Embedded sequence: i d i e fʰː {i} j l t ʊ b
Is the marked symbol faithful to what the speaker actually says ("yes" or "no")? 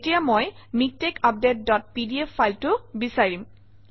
no